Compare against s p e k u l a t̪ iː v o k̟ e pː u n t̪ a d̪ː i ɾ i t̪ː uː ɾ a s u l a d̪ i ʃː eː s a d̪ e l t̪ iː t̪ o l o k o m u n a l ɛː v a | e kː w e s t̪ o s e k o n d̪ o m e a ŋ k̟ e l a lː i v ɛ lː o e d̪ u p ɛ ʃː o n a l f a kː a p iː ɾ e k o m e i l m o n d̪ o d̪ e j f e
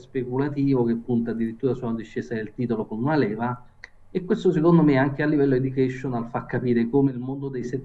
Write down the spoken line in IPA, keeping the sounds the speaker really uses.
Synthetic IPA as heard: s p e k u l a t̪ iː v o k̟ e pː u n t̪ a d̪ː i ɾ i t̪ː uː ɾ a s u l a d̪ i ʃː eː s a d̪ e l t̪ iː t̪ o l o k o n u n a l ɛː v a | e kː w e s t̪ o s e k o n d̪ o m e a ŋ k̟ e a lː i v ɛ lː o e d̪ u k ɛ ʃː o n a l f a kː a p iː ɾ e k o m e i l m o n d̪ o d̪ e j s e

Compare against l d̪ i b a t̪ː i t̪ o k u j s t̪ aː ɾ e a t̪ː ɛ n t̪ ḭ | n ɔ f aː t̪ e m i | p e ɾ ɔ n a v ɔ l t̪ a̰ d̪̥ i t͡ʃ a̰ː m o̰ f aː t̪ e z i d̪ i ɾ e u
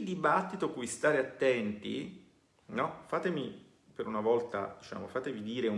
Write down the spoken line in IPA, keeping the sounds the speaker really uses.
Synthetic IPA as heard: l d̪ i b a t̪ː i t̪ o k u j s t̪ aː ɾ e a t̪ː ɛ n t̪ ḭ | n ɔ f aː t̪ e m i | p e ɾ u n a v ɔ l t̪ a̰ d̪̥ i t͡ʃ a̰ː m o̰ f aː t̪ e v i d̪ iː ɾ e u

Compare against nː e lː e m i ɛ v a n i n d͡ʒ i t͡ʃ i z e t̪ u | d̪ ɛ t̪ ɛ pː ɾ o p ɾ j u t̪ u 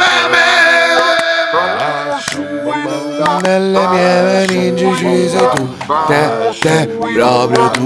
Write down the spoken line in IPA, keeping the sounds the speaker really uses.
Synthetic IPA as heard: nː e lː e m j ɛ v e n i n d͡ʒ i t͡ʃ i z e t̪ u | t̪ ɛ t̪ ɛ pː ɾ ɔ p ɾ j o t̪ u

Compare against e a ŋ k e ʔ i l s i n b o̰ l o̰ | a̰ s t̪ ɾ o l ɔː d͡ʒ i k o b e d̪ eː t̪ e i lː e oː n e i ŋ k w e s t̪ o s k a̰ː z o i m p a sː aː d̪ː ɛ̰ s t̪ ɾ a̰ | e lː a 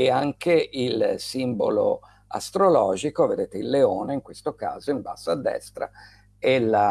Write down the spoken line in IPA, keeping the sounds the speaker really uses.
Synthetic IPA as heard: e a ŋ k e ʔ i l s i m b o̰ l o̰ | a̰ s t̪ ɾ o l ɔː d͡ʒ i k o v e d̪ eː t̪ e i lː e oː n e i ŋ k w e s t̪ o k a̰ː z o i m b a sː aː d̪ː ɛ̰ s t̪ ɾ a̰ | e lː a

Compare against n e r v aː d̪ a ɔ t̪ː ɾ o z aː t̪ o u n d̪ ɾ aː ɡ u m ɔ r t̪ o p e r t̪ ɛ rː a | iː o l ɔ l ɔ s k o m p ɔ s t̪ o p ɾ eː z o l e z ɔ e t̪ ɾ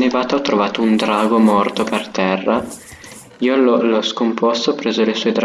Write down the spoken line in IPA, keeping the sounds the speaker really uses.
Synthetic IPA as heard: n e v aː t̪ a ɔ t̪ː ɾ o v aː t̪ o u n d̪ ɾ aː ɡ o m ɔ r t̪ o p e r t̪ ɛ rː a | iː o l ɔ l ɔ s k o m p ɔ s t̪ o p ɾ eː z o l e s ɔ e d̪ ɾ

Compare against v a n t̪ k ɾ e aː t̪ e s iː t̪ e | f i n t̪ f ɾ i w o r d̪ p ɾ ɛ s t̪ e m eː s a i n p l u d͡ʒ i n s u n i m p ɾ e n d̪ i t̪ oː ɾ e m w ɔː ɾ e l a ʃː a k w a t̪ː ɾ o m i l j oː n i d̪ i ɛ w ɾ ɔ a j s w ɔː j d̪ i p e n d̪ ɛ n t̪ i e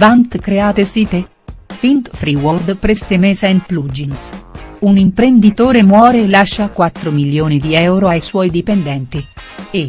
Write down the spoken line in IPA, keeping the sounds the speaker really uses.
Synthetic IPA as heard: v a n t̪ k ɾ e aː t̪ e s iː t̪ e | f i n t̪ f ɾ i w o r d̪ p ɾ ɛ s t̪ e m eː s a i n p l u d͡ʒ i n s u n i m p ɾ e n d̪ i t̪ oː ɾ e m w ɔː ɾ e l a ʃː a k w a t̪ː ɾ o m i l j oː n i d̪ i ɛ w ɾ o a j s w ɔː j d̪ i p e n d̪ ɛ n t̪ i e

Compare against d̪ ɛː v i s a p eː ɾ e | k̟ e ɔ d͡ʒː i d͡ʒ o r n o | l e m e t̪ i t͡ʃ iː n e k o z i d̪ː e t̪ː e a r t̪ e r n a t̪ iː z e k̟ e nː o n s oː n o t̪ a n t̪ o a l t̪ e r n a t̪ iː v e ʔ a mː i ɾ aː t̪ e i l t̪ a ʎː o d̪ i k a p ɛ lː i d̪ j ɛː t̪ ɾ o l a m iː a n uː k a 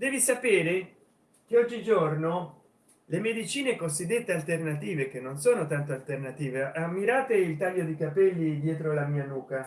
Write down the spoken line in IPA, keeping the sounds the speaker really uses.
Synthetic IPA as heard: d̪ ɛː v i s a p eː ɾ e | k̟ e ɔ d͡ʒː i d͡ʒ o r n o | l e m e d̪ i t͡ʃ iː n e k o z i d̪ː e t̪ː e a l t̪ e r n a t̪ iː v e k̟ e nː o n s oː n o t̪ a n t̪ o a l t̪ e r n a t̪ iː v e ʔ a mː i ɾ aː t̪ e i l t̪ a ʎː o d̪ i k a p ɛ lː i d̪ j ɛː t̪ ɾ o l a m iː a n uː k a

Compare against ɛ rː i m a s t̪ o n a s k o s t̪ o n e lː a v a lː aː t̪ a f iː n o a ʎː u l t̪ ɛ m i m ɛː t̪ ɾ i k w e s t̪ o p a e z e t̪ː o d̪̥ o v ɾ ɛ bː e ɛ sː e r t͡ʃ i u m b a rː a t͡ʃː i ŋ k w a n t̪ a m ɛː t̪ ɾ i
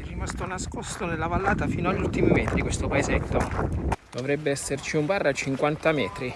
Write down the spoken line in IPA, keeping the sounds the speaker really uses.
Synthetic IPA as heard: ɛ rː i m a s t̪ o n a s k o s t̪ o n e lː a v a lː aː t̪ a f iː n o a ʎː u l t̪ i m i m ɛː t̪ ɾ i k w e s t̪ o p a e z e t̪ː o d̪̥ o v ɾ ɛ bː e ɛ sː e r t͡ʃ i u m b a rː a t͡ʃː i ŋ k w a n t̪ a m ɛː t̪ ɾ i

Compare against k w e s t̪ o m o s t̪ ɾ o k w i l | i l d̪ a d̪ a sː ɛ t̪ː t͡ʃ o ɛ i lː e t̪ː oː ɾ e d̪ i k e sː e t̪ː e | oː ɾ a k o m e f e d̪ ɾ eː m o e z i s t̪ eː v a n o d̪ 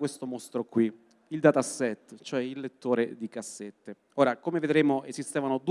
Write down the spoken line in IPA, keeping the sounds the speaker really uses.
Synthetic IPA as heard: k w e s t̪ o m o s t̪ ɾ o k w i | i l d̪ a t̪ a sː ɛ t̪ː t͡ʃ o ɛ i lː e t̪ː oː ɾ e d̪ i k a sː e t̪ː e | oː ɾ a k o m e v e d̪ ɾ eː m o e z i s t̪ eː v a n o d̪

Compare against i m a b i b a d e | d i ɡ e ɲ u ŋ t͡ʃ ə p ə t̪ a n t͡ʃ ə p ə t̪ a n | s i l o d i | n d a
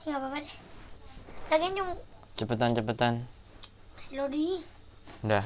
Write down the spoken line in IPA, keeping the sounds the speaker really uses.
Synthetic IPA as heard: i ŋ a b a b a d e | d a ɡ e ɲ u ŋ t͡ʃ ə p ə t̪ a n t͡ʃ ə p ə t̪ a n | s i l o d i | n d a

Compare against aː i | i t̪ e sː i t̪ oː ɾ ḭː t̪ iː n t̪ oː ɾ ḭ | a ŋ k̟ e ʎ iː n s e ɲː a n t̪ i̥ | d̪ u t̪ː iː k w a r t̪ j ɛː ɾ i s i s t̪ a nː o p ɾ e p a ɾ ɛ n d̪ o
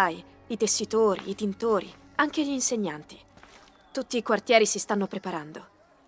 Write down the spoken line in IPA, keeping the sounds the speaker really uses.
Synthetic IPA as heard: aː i | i t̪ e sː i t̪ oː ɾ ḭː t̪ i n t̪ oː ɾ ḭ | a ŋ k̟ e ʎ iː n s e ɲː a n t̪ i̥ | t̪ u t̪ː iː k w a r t̪ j ɛː ɾ i s i s t̪ a nː o p ɾ e p a ɾ a n d̪ o

